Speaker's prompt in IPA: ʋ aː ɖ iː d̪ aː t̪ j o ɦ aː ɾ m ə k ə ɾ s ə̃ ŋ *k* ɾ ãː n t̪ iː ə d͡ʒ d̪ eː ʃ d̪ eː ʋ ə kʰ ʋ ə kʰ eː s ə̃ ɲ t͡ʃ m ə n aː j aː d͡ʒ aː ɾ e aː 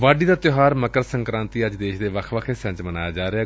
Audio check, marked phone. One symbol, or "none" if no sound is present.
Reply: k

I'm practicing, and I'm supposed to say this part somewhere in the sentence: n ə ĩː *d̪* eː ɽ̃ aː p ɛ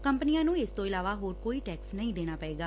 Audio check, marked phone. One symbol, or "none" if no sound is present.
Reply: d̪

